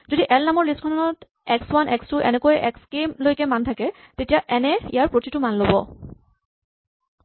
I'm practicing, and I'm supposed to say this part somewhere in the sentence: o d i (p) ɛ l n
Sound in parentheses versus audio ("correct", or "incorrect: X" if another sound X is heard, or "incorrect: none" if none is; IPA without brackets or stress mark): incorrect: ʔ